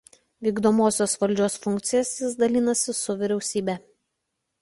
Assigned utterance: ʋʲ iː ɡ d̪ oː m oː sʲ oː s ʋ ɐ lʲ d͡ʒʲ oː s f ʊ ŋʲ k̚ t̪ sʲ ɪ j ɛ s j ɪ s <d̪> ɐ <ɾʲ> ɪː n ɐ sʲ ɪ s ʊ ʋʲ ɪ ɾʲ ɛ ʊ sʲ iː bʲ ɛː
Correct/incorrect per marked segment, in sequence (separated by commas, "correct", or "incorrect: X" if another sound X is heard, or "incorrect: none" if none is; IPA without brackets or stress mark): correct, incorrect: lʲ